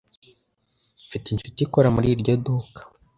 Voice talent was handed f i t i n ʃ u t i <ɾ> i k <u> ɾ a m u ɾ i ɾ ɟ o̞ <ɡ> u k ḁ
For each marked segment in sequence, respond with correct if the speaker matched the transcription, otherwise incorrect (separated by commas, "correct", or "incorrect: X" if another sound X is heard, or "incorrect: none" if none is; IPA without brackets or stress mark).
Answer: incorrect: none, incorrect: o, incorrect: d